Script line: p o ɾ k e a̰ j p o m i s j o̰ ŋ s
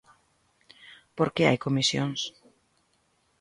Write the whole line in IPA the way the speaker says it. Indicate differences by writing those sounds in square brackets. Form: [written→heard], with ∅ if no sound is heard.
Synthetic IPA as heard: p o ɾ k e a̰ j [p→k] o m i s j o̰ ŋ s

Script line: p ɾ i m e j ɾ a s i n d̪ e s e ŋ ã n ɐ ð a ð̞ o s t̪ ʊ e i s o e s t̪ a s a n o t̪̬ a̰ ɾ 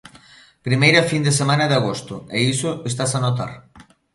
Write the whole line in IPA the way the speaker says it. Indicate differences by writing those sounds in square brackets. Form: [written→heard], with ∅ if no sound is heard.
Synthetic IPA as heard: p ɾ i m e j ɾ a [s→f] i n d̪ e s e [ŋ→m] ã n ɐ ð a [ð̞→ɣ̞] o s t̪ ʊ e i s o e s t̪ a s a n o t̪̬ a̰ ɾ

